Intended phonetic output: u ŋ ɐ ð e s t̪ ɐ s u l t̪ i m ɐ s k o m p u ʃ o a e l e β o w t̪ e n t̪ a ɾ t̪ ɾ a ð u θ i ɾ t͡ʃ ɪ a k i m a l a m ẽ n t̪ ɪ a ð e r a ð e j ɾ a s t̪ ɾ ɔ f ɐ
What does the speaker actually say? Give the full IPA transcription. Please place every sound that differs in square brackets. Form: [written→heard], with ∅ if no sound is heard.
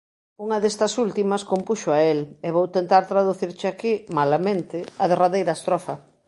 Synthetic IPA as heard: u ŋ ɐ ð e s t̪ ɐ s u l t̪ i m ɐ s k o m p u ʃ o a e l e β o w t̪ e n t̪ a ɾ t̪ ɾ a ð u θ i ɾ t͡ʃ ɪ a k i m a l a m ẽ n t̪ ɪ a ð e r a ð e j ɾ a s t̪ ɾ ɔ f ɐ